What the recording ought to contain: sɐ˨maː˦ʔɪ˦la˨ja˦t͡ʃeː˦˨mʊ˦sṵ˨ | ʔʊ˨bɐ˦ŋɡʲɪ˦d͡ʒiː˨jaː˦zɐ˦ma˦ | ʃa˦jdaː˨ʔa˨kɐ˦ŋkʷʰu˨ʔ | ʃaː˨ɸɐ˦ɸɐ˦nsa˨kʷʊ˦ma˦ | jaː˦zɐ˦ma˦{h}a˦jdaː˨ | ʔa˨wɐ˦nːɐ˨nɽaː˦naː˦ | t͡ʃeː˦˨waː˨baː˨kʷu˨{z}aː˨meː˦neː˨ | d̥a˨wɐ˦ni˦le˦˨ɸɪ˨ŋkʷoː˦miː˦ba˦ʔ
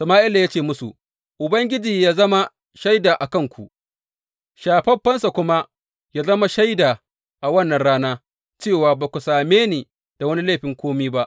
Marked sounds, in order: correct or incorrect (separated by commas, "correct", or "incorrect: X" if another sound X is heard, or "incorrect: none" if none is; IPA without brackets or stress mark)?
incorrect: ʃ, incorrect: s